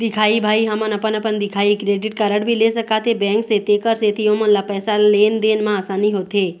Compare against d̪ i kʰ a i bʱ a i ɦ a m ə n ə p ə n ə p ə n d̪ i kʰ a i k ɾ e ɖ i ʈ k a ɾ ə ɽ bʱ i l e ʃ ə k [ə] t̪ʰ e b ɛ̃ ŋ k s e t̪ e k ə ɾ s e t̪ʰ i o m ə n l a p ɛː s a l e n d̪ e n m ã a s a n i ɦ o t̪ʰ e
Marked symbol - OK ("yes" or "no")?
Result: no